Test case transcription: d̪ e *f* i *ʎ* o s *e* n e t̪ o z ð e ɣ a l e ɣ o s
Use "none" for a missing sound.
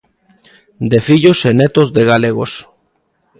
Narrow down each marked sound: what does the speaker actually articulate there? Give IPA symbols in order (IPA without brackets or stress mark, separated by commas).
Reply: f, ʎ, e